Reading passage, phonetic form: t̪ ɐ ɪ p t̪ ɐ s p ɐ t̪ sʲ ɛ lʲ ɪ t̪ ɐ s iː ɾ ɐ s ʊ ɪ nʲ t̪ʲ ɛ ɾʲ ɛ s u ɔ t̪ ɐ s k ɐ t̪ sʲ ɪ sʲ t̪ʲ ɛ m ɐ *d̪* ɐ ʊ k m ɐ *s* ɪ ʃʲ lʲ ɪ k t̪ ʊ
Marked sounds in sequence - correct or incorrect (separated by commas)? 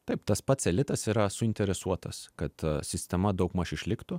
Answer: correct, incorrect